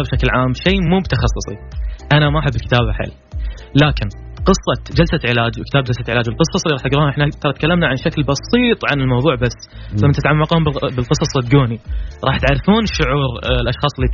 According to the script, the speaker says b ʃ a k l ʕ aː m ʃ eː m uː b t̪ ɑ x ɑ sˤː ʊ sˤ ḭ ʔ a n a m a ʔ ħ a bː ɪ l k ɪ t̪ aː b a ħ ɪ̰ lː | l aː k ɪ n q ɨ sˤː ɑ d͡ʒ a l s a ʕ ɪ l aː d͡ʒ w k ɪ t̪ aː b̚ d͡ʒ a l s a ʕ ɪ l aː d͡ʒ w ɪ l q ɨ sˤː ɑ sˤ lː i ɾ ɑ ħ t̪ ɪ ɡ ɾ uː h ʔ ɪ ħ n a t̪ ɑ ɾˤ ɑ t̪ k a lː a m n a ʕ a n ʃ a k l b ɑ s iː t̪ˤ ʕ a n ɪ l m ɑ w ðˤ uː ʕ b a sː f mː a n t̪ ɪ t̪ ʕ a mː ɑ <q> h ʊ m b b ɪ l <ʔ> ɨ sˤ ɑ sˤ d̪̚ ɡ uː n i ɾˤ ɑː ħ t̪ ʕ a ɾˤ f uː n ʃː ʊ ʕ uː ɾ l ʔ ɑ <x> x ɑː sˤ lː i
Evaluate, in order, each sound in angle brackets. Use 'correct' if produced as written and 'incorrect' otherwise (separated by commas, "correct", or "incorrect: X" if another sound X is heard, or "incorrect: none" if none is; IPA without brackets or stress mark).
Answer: correct, incorrect: q, incorrect: ʃ